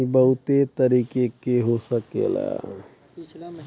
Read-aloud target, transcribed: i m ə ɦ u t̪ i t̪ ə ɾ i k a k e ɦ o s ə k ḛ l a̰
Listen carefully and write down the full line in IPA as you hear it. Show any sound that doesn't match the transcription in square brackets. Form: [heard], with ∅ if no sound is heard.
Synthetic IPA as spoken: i [b] ə ɦ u t̪ [e] t̪ ə ɾ i k [e] k e ɦ o s ə k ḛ l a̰